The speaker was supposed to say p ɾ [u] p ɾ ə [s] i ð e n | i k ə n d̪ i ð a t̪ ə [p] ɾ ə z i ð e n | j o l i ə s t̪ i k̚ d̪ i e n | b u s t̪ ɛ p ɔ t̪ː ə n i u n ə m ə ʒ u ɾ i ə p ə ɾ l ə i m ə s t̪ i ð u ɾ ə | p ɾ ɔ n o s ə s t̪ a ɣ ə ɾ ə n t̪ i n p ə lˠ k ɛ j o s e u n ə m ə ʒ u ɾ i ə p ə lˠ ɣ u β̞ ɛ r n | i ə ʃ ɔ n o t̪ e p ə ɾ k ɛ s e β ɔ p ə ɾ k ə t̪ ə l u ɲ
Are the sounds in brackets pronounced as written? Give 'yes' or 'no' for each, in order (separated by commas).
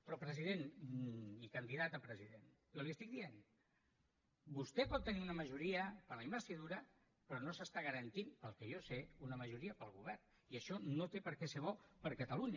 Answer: no, no, yes